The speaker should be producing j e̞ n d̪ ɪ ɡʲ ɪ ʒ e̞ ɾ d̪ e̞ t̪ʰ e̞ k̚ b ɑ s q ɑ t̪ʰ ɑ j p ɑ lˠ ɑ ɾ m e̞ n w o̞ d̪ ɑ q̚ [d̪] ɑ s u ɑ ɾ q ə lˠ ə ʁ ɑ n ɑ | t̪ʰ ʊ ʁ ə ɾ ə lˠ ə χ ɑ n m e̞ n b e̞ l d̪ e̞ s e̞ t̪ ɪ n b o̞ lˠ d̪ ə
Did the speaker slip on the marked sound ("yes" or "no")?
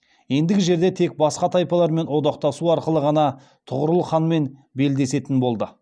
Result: yes